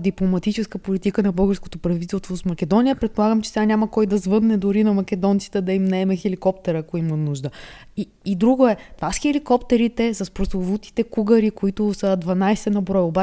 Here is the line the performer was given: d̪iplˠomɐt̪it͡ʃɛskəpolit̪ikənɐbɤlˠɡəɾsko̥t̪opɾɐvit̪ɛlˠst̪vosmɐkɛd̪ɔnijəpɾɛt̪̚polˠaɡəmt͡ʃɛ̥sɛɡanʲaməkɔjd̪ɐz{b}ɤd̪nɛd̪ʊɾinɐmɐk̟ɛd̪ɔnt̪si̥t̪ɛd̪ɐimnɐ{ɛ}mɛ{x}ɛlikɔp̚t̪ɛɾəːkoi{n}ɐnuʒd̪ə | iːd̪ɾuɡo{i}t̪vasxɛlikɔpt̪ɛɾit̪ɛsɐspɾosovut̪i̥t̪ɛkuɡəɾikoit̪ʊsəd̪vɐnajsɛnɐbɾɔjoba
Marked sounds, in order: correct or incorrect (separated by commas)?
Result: incorrect, correct, correct, incorrect, incorrect